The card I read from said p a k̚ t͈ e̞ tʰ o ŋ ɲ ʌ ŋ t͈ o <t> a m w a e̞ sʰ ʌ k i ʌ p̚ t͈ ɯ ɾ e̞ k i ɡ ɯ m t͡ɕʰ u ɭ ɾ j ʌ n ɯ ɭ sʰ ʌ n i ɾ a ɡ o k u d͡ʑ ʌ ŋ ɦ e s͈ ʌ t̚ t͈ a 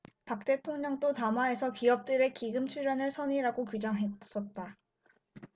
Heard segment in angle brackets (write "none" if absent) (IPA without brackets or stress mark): t